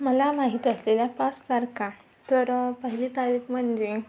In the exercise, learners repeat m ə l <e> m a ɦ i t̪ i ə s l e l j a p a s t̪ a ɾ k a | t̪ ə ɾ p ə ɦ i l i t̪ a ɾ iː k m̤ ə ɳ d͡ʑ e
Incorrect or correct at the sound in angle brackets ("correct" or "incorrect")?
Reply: incorrect